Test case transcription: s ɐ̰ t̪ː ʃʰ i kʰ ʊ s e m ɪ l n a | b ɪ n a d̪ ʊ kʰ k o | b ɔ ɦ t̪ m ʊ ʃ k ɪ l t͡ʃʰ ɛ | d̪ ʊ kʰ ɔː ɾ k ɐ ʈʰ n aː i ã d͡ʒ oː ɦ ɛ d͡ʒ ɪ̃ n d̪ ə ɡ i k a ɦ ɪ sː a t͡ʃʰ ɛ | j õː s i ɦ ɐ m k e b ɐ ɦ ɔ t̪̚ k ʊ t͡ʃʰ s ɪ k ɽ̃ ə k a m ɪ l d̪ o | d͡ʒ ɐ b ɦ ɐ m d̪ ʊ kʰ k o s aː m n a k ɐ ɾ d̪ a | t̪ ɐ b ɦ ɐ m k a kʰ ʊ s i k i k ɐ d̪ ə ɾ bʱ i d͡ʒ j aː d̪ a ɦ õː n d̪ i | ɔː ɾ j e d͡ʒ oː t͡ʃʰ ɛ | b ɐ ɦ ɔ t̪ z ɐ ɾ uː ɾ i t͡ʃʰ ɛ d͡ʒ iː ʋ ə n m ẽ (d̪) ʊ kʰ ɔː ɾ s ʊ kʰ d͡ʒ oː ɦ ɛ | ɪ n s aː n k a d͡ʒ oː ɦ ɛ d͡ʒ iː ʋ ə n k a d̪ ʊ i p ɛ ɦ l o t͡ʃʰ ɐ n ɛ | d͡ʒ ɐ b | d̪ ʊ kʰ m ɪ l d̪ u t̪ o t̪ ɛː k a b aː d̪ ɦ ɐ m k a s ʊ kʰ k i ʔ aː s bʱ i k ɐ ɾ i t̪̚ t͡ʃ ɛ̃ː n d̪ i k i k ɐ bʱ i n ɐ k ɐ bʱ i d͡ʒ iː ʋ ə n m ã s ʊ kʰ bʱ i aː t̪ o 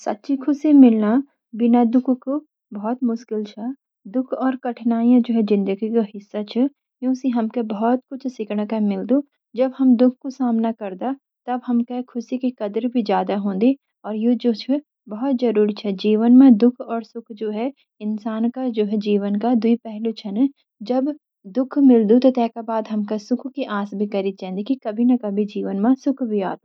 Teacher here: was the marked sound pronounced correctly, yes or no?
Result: yes